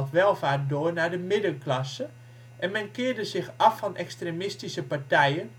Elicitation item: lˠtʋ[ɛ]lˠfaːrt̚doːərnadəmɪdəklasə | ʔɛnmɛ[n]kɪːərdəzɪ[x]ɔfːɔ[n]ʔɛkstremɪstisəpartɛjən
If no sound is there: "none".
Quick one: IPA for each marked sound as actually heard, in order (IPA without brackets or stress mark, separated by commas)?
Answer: ɛ, n, x, n